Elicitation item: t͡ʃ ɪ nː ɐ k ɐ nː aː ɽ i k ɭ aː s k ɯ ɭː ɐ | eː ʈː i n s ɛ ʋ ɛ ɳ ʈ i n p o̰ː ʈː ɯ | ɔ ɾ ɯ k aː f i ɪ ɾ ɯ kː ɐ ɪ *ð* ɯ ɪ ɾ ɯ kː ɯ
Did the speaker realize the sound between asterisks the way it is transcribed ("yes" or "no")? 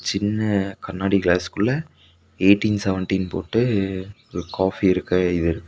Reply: yes